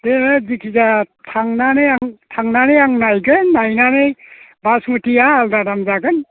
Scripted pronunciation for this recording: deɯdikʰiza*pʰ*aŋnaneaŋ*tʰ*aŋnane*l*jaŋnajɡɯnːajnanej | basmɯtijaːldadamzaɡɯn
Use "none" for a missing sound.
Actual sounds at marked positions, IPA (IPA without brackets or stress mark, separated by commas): tʰ, tʰ, none